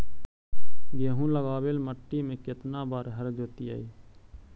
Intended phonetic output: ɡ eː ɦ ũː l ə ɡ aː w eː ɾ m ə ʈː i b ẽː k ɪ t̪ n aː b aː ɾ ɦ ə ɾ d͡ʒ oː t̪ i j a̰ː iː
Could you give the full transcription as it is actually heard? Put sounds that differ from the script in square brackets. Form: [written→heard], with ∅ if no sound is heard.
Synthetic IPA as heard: ɡ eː ɦ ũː l ə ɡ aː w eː [ɾ→l] m ə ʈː i [b→m] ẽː k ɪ t̪ n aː b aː ɾ ɦ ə ɾ d͡ʒ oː t̪ i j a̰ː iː